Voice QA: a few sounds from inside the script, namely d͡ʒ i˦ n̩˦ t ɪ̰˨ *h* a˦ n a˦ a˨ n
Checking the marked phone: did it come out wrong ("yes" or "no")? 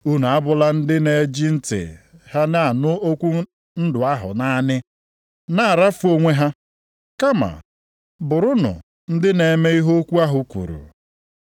no